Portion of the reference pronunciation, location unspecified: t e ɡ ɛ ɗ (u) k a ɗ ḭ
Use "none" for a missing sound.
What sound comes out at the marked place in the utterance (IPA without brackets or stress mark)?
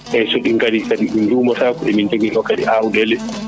ɔ